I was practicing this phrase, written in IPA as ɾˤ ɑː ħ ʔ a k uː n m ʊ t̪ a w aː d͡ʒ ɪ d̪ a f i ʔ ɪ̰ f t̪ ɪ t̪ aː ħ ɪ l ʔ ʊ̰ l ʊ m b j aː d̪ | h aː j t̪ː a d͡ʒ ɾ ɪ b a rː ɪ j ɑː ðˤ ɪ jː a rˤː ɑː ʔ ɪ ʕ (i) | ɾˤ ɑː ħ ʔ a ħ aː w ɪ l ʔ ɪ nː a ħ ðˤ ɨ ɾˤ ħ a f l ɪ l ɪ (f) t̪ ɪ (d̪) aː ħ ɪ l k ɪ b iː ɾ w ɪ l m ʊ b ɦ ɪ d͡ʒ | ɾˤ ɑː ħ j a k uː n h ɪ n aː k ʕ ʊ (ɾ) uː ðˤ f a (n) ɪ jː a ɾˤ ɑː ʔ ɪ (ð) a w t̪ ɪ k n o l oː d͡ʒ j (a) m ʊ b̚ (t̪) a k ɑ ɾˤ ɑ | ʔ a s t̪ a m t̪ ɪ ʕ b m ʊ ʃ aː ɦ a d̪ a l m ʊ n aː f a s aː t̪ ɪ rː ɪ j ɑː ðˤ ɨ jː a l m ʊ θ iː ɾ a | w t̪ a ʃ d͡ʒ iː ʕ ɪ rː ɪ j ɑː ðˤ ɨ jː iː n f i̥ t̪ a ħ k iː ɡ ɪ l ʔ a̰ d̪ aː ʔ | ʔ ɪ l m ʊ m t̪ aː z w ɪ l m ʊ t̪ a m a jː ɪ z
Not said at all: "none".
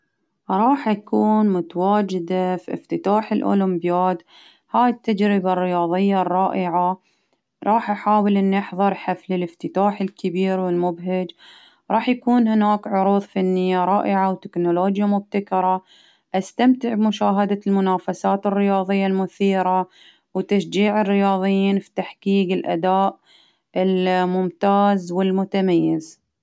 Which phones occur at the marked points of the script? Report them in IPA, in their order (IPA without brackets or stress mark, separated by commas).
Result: a, f, t̪, ɾ, nː, ʕ, a, t̪